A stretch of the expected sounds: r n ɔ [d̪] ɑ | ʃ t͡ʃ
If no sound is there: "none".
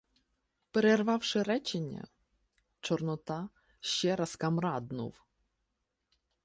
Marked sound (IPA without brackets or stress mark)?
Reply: t̪